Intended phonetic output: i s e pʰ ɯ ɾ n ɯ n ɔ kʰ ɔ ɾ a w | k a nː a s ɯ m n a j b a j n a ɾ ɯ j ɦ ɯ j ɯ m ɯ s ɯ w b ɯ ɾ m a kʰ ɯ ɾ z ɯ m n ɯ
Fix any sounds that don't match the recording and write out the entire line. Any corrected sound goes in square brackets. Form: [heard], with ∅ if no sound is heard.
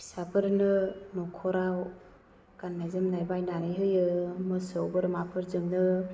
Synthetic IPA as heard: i s [a] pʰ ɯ ɾ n ɯ n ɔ kʰ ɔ ɾ a w | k a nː a [z] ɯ m n a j b a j n a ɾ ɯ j ɦ ɯ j ɯ m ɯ s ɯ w b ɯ ɾ m a [pʰ] ɯ ɾ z ɯ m n ɯ